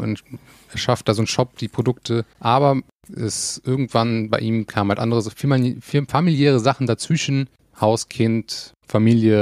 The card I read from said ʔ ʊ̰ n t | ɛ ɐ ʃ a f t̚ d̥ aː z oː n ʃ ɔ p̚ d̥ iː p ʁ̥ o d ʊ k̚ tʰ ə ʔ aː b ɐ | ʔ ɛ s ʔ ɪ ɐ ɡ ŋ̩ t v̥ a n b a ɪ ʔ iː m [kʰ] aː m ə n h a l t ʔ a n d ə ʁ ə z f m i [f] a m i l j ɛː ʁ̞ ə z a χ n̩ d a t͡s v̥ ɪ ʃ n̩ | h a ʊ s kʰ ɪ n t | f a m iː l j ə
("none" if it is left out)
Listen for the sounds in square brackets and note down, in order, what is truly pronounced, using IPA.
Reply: kʰ, f

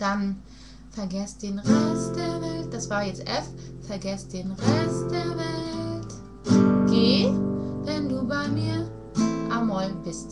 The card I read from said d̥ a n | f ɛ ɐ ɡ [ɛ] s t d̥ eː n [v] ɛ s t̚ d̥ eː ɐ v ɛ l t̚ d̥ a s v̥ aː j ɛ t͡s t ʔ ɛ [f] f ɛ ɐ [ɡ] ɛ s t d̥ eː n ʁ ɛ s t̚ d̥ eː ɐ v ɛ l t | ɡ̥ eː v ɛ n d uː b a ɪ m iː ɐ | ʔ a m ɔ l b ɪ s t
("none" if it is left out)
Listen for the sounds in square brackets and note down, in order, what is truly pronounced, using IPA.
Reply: ɛ, ʁ, f, ɡ

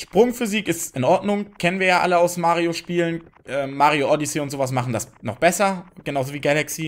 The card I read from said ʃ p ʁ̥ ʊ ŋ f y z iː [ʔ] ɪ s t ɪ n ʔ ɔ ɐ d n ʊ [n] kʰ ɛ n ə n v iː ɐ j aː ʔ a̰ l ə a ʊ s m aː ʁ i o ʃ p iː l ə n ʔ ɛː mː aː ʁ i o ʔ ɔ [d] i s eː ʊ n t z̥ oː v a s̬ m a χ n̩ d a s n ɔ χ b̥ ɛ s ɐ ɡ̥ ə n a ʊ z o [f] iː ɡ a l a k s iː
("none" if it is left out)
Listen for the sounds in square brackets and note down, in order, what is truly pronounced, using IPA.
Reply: k, ŋ, d, v

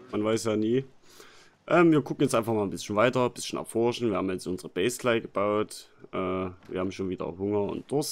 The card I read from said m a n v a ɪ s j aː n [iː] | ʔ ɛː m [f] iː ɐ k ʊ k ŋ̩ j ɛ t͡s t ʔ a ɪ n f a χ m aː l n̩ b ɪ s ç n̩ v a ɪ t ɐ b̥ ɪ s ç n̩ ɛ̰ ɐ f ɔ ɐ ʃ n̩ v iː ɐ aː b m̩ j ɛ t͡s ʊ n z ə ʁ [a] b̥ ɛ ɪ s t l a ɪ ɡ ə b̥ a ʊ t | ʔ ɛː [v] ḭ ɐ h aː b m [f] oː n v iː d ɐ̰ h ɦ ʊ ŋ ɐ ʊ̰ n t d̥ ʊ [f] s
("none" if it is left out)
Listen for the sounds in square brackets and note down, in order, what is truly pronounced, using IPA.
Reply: iː, v, ə, v, ʃ, none

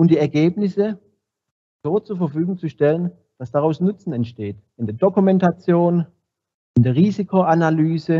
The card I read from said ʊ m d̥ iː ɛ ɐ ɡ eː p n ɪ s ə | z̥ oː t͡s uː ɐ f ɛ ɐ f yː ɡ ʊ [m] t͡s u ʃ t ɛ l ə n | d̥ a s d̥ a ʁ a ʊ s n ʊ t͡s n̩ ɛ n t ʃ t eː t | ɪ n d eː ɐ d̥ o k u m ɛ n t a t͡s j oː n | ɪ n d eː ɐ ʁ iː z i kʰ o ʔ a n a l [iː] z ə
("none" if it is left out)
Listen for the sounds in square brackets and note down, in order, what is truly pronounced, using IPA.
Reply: ŋ, yː

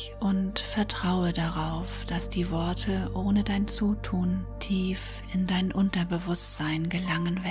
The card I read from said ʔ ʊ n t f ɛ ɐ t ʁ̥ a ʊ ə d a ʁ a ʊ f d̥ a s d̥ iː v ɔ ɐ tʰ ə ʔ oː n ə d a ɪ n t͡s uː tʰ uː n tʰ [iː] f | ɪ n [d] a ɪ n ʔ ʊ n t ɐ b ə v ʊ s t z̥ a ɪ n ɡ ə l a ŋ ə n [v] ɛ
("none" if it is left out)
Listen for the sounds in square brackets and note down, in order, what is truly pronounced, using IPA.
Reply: iː, d, v

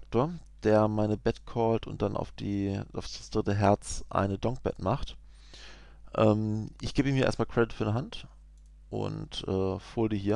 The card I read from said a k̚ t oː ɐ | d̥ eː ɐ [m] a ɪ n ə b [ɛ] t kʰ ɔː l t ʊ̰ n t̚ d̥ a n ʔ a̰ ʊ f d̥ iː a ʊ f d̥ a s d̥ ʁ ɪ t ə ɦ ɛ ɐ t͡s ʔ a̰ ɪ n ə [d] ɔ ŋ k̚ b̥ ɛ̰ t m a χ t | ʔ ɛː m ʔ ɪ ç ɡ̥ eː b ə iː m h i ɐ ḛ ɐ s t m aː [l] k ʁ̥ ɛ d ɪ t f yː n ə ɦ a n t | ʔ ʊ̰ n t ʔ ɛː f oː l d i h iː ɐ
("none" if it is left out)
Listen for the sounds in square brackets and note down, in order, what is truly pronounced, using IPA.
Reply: m, ɛ, d, l

